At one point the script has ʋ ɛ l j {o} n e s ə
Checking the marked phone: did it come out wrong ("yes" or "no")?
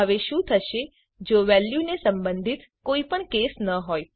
yes